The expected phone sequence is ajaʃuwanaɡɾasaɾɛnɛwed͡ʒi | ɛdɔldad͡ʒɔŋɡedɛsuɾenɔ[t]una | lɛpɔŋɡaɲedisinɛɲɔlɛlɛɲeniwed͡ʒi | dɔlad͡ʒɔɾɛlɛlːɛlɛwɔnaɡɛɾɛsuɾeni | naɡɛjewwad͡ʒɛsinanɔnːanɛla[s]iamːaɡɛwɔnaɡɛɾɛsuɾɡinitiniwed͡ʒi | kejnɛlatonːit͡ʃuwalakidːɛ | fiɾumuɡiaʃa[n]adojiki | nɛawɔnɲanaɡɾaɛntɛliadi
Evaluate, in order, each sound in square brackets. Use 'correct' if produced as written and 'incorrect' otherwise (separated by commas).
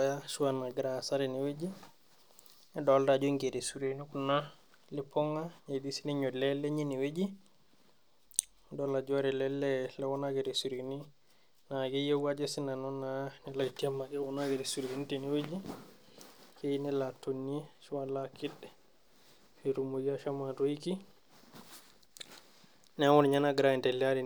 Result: incorrect, incorrect, incorrect